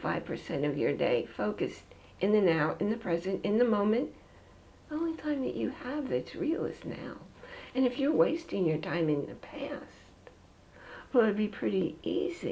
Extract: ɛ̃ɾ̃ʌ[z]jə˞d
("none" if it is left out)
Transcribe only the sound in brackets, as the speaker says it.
v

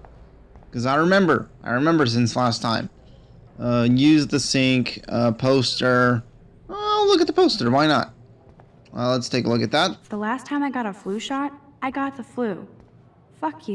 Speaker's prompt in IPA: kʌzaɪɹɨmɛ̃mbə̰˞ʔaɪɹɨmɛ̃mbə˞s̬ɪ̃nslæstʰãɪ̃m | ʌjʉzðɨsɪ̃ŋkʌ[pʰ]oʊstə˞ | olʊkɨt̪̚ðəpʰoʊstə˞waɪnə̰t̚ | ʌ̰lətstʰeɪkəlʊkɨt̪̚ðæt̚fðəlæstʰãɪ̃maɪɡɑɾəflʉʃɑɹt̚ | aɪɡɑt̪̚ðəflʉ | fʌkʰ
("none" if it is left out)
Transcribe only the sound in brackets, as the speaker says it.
pʰ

